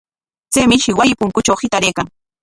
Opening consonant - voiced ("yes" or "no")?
no